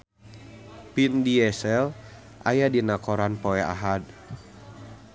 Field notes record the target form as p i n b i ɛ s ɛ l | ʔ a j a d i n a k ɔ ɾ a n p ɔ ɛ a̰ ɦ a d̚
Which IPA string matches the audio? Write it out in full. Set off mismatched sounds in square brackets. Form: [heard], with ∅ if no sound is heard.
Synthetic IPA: p i n [d] i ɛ s ɛ l | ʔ a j a d i n a k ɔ ɾ a n p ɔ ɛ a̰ ɦ a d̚